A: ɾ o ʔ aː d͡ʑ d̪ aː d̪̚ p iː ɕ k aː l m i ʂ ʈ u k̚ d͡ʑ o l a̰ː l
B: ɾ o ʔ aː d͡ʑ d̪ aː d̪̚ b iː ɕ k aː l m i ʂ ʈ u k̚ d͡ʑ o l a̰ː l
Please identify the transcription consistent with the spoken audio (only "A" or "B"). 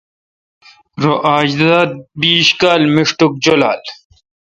B